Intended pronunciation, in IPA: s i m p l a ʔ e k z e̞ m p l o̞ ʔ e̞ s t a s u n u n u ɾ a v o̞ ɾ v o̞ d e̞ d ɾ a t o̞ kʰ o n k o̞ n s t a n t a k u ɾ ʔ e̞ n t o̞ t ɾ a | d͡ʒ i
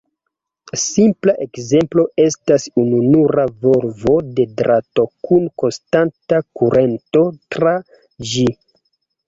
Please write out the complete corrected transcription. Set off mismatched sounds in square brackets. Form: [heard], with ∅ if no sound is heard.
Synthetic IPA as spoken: s i m p l a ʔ e k z e̞ m p l o̞ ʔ e̞ s t a s u n u n u ɾ a v o̞ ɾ v o̞ d e̞ d ɾ a t o̞ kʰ [u] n k o̞ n s t a n t a k u ɾ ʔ e̞ n t o̞ t ɾ a | d͡ʒ i